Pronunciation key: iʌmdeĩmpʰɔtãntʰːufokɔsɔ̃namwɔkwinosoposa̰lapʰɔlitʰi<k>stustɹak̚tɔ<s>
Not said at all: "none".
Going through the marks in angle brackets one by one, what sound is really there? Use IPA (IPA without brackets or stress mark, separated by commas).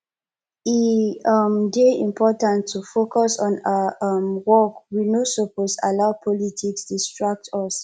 k, s